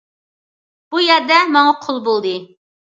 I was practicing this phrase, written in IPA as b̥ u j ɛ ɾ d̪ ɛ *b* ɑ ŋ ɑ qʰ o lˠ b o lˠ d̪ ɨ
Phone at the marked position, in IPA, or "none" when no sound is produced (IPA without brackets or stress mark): m